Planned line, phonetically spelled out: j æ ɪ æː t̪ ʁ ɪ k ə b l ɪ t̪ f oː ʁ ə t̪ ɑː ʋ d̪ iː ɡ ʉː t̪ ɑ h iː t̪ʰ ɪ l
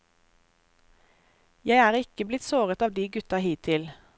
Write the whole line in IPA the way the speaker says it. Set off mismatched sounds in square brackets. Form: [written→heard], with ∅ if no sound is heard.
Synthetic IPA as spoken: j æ ɪ æː [t̪→∅] ʁ ɪ k ə b l ɪ t̪ [f→s] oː ʁ ə t̪ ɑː ʋ d̪ iː ɡ [ʉː→ʉ] t̪ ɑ h iː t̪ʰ ɪ l